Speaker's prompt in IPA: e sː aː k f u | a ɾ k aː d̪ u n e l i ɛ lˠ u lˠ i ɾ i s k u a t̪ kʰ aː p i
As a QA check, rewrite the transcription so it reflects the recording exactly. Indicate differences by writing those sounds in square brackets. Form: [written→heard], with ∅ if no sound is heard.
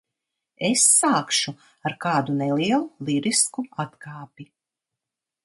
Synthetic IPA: e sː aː k [f→ʃ] u | a ɾ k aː d̪ u n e l i ɛ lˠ u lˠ i ɾ i s k u a t̪ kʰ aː p i